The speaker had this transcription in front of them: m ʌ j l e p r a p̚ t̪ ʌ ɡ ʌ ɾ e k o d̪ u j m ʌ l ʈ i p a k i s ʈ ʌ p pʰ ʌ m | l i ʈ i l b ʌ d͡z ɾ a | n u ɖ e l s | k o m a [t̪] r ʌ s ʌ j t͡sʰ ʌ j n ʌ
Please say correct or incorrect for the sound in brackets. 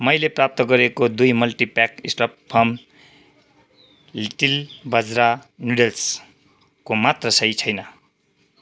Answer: correct